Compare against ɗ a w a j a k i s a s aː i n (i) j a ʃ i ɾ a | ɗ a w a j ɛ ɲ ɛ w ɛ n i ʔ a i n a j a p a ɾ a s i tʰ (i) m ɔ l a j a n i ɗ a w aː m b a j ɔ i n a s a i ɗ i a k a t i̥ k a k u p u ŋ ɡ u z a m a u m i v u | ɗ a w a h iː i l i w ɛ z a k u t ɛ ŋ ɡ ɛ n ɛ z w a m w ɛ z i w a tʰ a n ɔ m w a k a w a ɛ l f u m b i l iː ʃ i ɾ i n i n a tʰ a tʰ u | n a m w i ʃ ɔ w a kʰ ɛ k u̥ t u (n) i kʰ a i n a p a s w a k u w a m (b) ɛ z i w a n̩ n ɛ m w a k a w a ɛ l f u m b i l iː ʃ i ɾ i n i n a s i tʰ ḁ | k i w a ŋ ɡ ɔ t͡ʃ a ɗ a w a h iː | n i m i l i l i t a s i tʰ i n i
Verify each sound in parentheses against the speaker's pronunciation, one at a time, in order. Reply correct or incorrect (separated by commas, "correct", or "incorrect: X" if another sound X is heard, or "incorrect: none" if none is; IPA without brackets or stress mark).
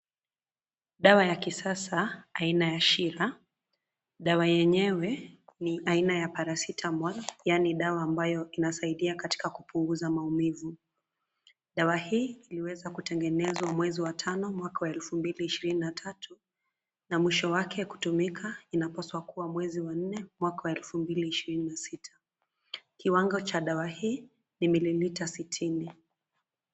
incorrect: a, incorrect: a, incorrect: m, incorrect: w